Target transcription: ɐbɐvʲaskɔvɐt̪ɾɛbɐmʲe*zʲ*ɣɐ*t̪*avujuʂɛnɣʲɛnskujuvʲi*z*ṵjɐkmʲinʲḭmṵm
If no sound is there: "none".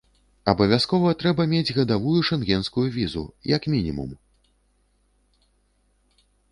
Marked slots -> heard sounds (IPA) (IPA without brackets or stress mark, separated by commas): d͡zʲ, d̪, z